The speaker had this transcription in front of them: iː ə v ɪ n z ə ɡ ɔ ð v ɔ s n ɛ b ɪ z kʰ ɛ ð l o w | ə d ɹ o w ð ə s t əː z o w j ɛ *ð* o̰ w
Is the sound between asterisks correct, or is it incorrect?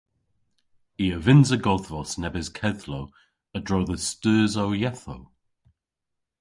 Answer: incorrect